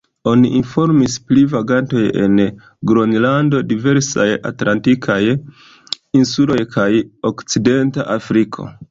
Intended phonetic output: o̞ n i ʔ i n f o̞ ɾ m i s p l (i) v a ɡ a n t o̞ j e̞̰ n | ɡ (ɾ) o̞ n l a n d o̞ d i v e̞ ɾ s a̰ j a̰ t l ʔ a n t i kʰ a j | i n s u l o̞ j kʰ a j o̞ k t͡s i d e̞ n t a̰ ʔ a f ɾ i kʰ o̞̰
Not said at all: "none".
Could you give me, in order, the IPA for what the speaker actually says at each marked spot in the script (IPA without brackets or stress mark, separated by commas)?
i, ɾ